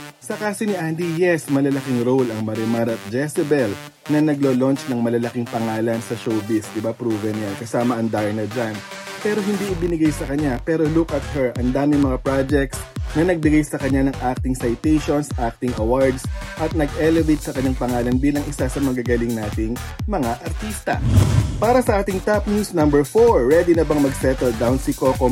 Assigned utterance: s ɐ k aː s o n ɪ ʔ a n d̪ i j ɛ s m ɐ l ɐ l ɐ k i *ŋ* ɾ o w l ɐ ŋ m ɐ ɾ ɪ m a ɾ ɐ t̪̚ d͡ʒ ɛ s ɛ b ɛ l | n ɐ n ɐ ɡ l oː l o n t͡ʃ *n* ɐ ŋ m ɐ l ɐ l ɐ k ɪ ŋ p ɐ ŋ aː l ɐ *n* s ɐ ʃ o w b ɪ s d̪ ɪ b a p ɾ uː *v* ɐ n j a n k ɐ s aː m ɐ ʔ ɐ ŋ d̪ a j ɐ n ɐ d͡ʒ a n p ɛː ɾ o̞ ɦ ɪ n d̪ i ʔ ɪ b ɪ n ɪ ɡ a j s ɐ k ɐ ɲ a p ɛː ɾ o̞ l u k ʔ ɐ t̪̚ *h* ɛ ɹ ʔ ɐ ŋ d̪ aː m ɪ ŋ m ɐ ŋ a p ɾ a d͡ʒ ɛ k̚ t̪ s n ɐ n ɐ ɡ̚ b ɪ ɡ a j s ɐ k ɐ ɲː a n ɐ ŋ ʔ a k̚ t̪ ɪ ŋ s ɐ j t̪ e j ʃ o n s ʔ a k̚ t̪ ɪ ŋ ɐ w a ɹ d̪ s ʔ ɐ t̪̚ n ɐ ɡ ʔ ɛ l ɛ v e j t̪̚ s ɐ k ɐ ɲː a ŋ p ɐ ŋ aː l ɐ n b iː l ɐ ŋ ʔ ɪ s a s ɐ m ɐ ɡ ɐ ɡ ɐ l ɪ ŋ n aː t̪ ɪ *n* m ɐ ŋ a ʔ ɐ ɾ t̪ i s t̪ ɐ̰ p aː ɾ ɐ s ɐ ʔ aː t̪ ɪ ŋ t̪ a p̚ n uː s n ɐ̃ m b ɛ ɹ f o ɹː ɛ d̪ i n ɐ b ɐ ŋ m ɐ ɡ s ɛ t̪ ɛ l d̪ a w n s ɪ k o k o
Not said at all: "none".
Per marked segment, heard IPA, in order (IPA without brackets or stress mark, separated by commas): ŋ, n, n, v, h, ŋ